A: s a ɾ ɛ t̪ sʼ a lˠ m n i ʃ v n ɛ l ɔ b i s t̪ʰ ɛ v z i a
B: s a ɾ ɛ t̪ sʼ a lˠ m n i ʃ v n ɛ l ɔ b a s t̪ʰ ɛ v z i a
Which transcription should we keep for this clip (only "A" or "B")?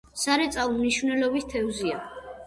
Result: A